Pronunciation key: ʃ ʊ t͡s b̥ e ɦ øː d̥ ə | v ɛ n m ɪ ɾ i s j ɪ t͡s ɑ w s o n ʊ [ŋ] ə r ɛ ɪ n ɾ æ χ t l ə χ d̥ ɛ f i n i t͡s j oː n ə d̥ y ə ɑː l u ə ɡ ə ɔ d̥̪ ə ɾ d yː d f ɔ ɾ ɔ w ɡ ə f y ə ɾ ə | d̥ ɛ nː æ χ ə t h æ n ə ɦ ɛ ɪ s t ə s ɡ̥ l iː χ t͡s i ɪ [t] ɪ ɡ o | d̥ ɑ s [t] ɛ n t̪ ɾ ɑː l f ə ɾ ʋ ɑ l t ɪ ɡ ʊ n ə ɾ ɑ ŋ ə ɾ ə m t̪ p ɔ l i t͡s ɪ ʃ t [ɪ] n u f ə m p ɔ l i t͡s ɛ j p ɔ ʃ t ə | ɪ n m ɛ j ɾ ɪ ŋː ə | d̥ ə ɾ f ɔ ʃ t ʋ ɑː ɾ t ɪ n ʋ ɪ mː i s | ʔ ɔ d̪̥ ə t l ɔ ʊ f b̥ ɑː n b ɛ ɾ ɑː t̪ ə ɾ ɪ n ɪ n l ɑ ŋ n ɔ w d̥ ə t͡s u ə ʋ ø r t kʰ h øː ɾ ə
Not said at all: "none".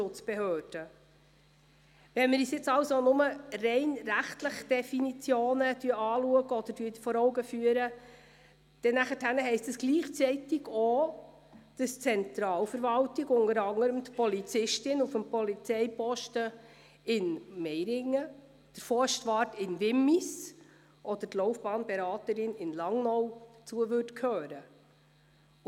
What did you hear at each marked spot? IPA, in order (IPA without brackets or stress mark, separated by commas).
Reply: m, t, t͡s, ɪ